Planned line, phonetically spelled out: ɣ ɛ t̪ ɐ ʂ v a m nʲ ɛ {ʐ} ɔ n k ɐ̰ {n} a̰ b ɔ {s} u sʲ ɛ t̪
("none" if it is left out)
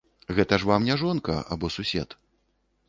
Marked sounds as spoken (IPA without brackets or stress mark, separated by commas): ʐ, none, s